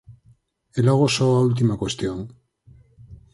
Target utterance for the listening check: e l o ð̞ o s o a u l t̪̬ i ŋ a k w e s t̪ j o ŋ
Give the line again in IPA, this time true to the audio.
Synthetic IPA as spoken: e l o ɣ̞ o s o a u l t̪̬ i m a k w e s t̪ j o ŋ